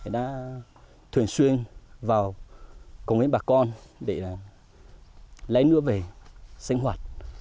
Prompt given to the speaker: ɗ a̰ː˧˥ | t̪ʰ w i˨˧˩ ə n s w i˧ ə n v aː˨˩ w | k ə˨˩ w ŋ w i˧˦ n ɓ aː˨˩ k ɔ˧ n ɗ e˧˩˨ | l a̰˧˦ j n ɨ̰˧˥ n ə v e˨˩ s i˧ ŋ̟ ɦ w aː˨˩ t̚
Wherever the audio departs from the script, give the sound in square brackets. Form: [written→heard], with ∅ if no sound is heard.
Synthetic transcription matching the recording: ɗ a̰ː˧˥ | t̪ʰ w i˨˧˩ ə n s w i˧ ə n v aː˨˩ w | k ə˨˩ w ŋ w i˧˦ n ɓ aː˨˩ k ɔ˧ n ɗ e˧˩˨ | l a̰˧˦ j n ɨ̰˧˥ [n→∅] ə v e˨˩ s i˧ ŋ̟ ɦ w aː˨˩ t̚

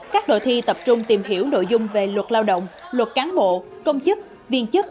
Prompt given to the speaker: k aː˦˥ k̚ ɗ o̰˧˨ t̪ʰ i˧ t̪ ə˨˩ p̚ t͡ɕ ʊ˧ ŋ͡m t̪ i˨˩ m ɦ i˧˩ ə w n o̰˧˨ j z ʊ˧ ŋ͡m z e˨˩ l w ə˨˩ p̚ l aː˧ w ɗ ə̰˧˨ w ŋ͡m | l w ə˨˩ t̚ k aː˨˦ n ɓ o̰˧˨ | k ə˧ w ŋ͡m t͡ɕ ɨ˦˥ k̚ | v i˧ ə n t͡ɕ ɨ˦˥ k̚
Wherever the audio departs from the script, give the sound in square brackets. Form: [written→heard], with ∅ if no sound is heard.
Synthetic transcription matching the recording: k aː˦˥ k̚ ɗ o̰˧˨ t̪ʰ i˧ t̪ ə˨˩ p̚ t͡ɕ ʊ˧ ŋ͡m t̪ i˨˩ m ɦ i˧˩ ə w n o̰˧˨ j z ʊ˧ ŋ͡m [z→v] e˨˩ l w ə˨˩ [p̚→t̚] l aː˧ w ɗ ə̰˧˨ w ŋ͡m | l w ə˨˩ t̚ k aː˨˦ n ɓ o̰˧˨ | k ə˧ w ŋ͡m t͡ɕ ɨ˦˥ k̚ | v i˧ ə n t͡ɕ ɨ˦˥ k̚

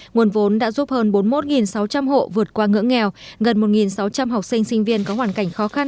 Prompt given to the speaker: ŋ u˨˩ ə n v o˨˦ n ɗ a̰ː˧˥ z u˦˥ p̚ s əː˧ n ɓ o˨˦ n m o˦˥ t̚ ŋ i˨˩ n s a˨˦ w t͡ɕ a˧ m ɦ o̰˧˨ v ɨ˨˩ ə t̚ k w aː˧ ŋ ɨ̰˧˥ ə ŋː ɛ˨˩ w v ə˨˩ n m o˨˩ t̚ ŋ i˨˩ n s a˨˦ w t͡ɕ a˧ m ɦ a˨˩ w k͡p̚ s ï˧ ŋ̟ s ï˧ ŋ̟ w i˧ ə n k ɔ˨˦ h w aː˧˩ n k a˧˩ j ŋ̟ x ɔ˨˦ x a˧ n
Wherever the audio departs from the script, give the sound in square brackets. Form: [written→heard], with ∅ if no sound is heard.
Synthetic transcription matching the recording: ŋ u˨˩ ə n v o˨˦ n ɗ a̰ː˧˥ z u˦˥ p̚ [s→h] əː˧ n ɓ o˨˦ n m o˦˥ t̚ ŋ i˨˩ n s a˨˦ w t͡ɕ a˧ m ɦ o̰˧˨ v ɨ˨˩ ə t̚ k w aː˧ ŋ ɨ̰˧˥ ə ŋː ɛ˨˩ w [v→ɣ] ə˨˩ n m o˨˩ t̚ ŋ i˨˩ n s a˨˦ w t͡ɕ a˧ m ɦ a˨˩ w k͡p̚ s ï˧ ŋ̟ s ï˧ ŋ̟ [w→v] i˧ ə n k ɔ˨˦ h w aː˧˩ n k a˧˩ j ŋ̟ x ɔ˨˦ x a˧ n

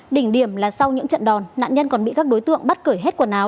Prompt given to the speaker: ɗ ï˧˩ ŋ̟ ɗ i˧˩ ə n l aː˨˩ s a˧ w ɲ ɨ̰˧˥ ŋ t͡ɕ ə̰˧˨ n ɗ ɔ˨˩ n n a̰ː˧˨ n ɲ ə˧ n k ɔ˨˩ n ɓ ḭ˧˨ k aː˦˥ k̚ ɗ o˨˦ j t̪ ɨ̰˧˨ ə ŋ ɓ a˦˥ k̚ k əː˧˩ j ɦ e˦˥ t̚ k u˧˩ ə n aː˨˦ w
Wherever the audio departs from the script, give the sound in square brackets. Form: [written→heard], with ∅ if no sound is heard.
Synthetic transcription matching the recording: ɗ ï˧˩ ŋ̟ ɗ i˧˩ ə [n→m] l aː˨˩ s a˧ w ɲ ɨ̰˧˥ ŋ t͡ɕ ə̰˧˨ n ɗ ɔ˨˩ n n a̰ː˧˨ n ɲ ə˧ n k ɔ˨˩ n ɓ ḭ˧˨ k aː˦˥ k̚ ɗ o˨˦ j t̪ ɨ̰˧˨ ə ŋ ɓ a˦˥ [k̚→t̚] k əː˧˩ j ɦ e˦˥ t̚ k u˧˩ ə n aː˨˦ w

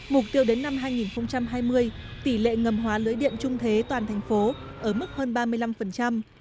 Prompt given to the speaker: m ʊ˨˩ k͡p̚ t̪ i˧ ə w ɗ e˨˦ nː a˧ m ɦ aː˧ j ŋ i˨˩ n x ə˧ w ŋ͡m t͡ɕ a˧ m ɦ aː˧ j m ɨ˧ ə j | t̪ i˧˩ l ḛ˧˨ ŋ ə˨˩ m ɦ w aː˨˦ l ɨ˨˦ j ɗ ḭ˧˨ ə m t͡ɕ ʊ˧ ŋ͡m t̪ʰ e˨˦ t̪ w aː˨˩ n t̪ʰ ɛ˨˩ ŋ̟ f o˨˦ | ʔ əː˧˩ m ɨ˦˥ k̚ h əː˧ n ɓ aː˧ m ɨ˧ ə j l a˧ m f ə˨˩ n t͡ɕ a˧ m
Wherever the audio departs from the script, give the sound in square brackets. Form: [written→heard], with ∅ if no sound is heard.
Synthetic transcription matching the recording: m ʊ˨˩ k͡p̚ t̪ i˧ ə w ɗ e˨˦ nː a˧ m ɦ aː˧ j ŋ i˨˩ n x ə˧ w ŋ͡m t͡ɕ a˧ m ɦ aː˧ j m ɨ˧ ə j | t̪ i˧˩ l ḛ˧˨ ŋ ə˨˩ m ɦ w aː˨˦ l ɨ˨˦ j ɗ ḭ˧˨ ə m t͡ɕ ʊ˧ ŋ͡m t̪ʰ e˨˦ t̪ w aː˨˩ n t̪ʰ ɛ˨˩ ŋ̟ f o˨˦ | ʔ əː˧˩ m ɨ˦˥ k̚ h əː˧ n ɓ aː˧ m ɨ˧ ə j l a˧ m f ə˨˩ n t͡ɕ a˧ m

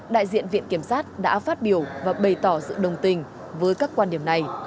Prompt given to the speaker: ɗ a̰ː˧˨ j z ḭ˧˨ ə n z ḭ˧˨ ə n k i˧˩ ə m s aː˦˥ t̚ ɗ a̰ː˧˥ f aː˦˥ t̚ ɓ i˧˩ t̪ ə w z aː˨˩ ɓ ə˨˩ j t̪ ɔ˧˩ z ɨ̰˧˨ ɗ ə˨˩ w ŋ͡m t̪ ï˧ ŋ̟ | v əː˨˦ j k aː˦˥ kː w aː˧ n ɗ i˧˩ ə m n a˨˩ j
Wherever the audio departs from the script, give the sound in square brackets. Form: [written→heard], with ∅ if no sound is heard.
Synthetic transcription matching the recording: ɗ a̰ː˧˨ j z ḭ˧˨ ə n [z→v] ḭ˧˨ ə n k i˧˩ ə m s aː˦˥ t̚ ɗ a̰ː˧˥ f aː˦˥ t̚ ɓ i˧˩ [t̪→∅] ə w [z→v] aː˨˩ ɓ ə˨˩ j t̪ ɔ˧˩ z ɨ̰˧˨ ɗ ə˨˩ w ŋ͡m t̪ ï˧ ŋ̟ | v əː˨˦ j k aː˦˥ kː w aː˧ n ɗ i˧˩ ə m n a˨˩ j

